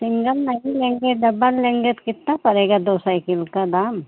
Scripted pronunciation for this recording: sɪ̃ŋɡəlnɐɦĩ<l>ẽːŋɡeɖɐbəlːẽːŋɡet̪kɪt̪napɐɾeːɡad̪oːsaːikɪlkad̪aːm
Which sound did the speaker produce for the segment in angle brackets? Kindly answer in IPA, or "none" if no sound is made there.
l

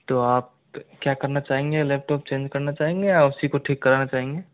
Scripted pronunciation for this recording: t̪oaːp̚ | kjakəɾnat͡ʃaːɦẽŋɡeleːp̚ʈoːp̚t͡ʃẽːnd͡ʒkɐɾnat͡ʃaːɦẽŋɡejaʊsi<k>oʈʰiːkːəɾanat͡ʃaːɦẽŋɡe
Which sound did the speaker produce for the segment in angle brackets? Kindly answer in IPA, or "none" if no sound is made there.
k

